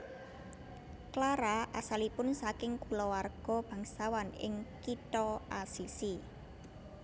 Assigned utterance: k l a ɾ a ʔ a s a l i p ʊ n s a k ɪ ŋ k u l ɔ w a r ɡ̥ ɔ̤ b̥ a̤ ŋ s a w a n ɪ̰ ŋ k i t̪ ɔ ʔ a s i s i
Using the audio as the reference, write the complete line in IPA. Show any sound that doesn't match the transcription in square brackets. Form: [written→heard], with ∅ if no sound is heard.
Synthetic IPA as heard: k l a ɾ a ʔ a s a l i p ʊ n s a k ɪ ŋ k u l ɔ w a r ɡ̥ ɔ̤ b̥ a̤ ŋ s a w a n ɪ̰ ŋ k i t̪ ɔ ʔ a s i s i